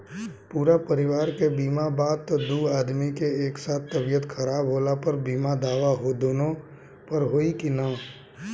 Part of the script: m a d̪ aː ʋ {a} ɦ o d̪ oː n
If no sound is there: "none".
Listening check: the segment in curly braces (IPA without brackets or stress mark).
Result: a